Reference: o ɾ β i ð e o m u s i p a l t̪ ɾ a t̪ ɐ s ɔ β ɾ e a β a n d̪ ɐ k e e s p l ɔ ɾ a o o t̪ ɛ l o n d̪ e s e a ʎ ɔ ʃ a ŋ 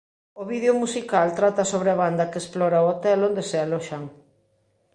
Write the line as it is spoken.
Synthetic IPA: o β i ð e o m u s i k a l t̪ ɾ a t̪ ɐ s o β ɾ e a β a n d̪ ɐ k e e s p l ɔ ɾ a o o t̪ ɛ l o n d̪ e s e a l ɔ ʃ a ŋ